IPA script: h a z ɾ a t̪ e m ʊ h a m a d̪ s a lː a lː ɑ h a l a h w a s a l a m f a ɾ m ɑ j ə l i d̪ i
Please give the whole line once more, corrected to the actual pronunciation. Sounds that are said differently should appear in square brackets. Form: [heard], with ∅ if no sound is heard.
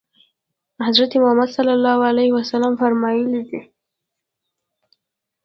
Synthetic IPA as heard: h a z ɾ a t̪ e m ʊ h a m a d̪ s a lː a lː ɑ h a l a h w a s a l a m f a ɾ m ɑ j ə l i d̪ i